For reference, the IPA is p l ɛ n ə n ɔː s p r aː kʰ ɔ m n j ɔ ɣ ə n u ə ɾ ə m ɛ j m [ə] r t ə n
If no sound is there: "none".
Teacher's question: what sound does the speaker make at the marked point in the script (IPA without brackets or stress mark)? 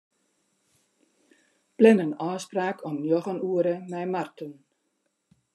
a